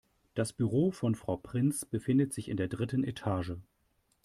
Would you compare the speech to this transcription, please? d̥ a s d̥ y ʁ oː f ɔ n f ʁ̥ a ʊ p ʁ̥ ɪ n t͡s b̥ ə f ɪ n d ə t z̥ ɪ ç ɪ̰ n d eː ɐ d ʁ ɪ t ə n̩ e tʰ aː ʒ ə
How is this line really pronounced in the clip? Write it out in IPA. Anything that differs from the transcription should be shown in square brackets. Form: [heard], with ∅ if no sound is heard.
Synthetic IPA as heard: d̥ a s [b̥] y ʁ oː f ɔ n f ʁ̥ a ʊ p ʁ̥ ɪ n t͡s b̥ ə f ɪ n d ə t z̥ ɪ ç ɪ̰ n d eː ɐ d ʁ ɪ t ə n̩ e tʰ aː ʒ ə